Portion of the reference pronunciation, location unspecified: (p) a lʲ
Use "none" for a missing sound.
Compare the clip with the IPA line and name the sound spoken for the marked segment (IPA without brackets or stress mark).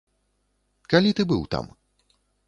k